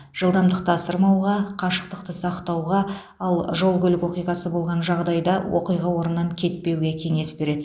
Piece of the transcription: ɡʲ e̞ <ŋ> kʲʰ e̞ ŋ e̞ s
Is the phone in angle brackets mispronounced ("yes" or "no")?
yes